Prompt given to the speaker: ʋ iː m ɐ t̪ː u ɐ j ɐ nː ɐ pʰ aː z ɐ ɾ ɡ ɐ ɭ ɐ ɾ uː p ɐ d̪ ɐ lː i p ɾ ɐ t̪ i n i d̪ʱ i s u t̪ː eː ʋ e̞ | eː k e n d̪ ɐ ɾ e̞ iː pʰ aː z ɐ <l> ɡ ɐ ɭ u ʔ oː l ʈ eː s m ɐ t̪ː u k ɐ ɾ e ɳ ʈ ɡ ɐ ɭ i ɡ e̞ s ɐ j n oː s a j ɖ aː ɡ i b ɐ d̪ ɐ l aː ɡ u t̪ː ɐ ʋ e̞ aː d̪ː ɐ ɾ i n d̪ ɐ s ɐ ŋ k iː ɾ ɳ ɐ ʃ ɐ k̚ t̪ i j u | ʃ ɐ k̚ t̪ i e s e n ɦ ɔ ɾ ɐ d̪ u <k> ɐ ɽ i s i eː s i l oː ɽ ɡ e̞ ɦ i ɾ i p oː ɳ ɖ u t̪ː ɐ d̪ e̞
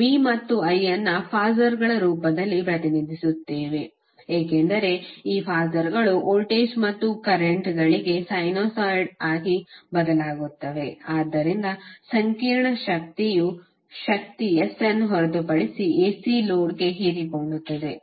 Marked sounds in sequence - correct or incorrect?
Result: incorrect: ɾ, incorrect: p

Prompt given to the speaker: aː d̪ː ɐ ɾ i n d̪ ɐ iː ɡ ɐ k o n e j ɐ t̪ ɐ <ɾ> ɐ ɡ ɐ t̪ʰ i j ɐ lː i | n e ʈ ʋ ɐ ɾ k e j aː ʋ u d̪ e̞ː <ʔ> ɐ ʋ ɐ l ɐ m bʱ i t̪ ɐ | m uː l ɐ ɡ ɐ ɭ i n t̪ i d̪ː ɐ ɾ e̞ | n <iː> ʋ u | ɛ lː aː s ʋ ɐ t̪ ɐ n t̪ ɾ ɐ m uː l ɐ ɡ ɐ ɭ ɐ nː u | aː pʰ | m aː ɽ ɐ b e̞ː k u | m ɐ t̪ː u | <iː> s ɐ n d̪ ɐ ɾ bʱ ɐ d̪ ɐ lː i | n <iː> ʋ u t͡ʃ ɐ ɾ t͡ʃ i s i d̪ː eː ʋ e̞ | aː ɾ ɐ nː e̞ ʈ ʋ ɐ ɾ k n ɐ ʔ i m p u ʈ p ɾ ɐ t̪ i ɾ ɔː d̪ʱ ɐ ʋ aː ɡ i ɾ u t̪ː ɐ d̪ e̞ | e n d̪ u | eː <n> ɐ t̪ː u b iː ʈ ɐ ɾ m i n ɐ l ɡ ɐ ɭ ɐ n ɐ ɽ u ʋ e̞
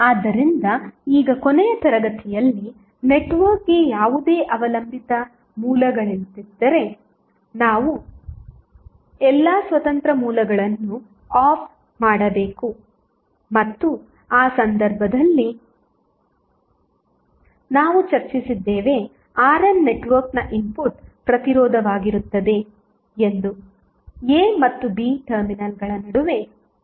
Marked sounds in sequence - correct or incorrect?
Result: correct, correct, incorrect: aː, incorrect: aː, incorrect: aː, incorrect: m

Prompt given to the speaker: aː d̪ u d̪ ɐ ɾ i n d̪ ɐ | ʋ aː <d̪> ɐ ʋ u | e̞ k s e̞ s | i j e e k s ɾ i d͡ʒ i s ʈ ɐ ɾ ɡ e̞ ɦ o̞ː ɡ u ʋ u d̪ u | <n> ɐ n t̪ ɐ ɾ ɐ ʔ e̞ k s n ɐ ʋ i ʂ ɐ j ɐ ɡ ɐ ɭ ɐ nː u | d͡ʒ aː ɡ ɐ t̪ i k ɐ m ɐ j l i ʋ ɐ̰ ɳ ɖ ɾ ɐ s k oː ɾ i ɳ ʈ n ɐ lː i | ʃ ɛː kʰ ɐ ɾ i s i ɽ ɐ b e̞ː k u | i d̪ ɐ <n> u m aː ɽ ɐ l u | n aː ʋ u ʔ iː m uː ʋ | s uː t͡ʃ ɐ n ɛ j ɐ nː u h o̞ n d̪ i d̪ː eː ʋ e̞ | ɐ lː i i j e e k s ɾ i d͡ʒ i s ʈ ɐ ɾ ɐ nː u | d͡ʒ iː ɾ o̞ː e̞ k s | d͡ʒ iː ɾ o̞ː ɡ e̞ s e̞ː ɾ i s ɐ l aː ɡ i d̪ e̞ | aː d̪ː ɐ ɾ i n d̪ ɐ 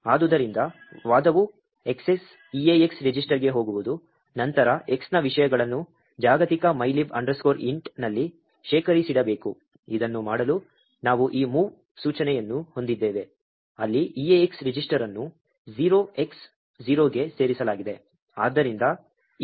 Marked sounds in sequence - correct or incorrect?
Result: correct, correct, incorrect: nː

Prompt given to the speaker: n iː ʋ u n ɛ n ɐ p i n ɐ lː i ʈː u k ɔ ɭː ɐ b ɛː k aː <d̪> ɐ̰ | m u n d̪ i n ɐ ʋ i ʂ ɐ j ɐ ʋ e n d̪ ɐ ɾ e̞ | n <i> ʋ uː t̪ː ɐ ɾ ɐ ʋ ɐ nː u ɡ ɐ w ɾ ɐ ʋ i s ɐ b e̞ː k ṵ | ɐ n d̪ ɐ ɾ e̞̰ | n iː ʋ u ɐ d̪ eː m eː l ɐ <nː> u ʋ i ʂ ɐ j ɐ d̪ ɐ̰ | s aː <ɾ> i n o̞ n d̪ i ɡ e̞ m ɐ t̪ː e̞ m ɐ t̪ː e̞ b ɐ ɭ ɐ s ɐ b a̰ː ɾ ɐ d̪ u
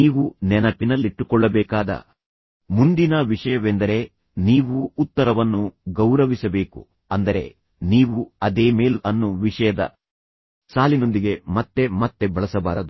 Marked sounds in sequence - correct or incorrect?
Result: correct, incorrect: iː, correct, incorrect: l

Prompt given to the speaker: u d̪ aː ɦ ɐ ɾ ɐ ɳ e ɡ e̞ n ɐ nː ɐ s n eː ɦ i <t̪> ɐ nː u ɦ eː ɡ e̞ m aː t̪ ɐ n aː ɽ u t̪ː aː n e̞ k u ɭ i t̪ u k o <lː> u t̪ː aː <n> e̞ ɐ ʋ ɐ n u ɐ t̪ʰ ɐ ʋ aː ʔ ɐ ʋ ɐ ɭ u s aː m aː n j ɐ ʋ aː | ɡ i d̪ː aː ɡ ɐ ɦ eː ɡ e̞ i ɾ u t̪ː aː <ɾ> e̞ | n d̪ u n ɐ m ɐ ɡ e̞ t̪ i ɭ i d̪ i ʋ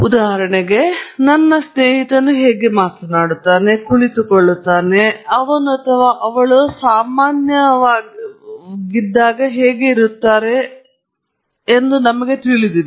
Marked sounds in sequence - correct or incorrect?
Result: correct, incorrect: ɭː, correct, correct

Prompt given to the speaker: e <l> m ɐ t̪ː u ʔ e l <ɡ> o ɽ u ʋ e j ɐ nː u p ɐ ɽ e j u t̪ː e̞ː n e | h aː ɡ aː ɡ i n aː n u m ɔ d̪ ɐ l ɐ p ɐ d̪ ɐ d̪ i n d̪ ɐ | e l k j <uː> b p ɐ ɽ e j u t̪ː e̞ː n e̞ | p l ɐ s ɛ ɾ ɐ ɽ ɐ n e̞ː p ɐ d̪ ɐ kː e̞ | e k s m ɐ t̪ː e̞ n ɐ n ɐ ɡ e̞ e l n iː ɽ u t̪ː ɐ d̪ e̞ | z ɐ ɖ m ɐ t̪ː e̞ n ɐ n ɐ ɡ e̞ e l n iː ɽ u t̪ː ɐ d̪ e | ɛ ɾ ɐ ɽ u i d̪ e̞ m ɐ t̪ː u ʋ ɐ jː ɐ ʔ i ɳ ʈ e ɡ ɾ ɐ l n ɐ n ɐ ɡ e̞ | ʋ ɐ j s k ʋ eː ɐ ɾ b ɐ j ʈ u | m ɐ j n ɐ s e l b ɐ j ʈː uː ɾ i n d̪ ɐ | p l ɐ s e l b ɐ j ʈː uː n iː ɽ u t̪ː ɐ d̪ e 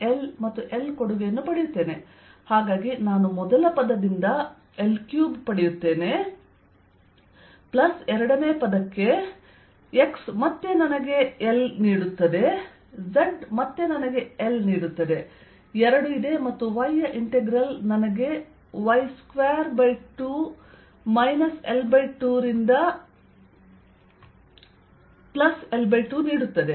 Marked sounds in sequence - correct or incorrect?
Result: correct, incorrect: k, correct

